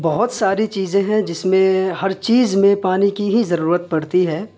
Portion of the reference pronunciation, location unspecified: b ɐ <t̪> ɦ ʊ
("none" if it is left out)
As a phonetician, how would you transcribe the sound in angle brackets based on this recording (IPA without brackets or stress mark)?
none